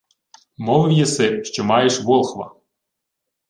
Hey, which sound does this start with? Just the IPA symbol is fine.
m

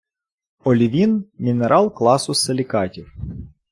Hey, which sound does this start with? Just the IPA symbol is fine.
ɔ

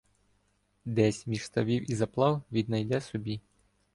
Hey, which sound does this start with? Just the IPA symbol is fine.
d̪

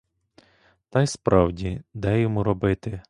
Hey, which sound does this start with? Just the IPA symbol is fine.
t̪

